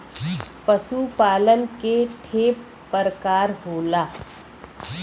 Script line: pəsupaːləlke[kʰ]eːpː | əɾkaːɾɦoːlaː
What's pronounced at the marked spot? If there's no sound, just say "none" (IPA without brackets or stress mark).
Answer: ʈʰ